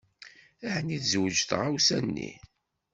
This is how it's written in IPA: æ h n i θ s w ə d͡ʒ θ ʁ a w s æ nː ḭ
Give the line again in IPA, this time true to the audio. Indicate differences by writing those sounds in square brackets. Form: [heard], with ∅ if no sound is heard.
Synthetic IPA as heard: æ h n i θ [z] w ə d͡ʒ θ ʁ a w s æ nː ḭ